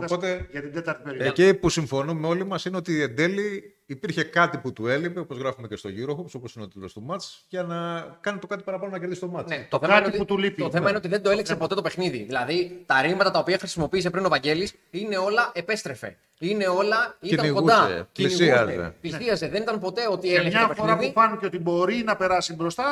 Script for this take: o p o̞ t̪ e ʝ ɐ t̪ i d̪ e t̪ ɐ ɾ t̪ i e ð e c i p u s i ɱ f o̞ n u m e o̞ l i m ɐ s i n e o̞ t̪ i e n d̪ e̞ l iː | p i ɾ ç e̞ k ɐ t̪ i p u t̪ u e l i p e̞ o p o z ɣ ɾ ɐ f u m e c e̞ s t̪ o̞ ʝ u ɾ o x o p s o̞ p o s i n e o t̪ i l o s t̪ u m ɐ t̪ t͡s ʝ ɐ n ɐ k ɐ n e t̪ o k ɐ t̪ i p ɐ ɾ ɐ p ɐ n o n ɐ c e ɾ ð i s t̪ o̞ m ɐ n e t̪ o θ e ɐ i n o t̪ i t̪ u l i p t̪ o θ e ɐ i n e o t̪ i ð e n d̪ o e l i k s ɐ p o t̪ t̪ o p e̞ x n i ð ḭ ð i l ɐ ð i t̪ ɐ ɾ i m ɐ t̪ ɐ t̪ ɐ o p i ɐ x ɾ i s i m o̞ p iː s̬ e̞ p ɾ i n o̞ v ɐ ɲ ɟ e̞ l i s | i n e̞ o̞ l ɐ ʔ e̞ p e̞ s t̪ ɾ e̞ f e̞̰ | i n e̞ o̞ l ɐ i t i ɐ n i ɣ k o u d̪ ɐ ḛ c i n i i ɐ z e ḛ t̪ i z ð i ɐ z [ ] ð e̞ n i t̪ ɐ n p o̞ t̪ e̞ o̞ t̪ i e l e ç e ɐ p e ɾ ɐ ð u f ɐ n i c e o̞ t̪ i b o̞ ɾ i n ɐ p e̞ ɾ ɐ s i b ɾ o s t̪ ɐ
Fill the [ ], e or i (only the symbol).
e